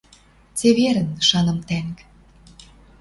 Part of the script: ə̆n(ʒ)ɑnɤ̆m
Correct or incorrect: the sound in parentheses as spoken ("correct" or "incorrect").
incorrect